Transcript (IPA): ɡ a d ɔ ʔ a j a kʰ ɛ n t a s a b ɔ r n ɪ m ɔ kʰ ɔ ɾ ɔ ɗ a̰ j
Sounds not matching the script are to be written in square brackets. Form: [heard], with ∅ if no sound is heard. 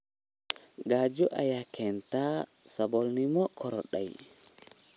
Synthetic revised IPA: ɡ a [d͡ʒ] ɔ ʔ a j a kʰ ɛ n t a s a b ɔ [l] n [i] m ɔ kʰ ɔ ɾ ɔ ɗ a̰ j